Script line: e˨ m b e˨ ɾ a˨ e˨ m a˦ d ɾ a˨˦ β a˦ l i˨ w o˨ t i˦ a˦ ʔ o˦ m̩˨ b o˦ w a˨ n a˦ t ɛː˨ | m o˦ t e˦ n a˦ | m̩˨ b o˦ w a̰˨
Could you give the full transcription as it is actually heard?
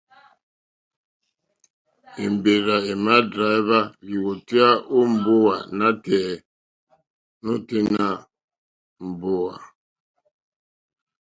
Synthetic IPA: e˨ m b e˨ ɾ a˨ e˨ m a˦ d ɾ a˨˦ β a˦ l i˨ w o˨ t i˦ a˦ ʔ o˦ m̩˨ b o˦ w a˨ n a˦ t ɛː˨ | n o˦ t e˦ n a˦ | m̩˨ b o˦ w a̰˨

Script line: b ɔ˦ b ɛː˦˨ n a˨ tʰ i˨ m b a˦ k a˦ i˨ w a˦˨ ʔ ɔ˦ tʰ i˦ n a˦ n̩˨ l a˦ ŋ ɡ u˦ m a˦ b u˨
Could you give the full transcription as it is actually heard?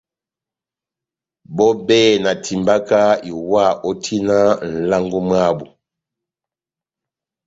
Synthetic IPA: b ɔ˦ b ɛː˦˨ n a˨ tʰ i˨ m b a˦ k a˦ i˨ w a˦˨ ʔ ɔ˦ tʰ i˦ n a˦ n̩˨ l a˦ ŋ ɡ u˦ m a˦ b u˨

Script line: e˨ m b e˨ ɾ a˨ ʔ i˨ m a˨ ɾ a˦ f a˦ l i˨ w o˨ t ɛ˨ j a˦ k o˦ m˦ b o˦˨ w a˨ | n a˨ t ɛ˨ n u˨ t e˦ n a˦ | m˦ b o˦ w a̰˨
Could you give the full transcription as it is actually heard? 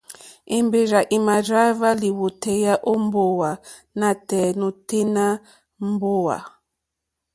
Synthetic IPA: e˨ m b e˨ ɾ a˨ ʔ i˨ m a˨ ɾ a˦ v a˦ l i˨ w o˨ t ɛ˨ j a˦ ʔ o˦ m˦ b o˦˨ w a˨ | n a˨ t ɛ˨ n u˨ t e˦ n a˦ | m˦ b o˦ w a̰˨

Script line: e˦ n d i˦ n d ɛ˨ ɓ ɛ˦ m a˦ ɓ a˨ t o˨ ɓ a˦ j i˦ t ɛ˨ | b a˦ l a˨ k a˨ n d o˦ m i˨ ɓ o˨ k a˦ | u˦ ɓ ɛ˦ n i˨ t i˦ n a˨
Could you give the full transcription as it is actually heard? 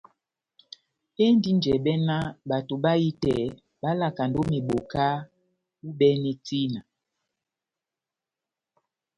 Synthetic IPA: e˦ n d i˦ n d͡ʒ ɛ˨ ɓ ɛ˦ n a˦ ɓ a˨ t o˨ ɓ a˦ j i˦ t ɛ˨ | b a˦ l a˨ k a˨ n d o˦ m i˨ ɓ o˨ k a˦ | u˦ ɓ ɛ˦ n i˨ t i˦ n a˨

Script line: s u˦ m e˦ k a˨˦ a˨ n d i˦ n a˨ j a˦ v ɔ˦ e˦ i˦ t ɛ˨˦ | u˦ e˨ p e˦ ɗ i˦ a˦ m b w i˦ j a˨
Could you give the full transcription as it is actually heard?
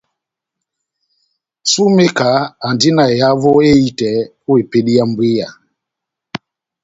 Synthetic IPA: s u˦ m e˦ k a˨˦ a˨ n d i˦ n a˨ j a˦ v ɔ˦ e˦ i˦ t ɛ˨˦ | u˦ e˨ p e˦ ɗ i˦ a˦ m b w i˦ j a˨

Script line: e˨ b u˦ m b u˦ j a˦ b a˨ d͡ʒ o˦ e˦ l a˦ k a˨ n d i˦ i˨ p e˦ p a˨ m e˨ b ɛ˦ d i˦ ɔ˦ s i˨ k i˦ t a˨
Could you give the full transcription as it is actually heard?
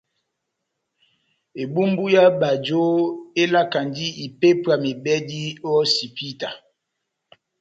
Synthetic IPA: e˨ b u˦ m b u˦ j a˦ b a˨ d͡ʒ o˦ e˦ l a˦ k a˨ n d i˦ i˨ p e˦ p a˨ m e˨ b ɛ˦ d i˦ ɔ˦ s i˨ p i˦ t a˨

